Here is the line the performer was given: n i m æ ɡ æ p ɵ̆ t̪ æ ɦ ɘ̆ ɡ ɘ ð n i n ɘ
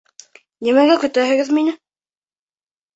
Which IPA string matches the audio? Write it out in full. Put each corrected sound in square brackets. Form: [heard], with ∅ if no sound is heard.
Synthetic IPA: n i m æ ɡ æ [k] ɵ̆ t̪ æ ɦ ɘ̆ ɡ ɘ ð [m] i n ɘ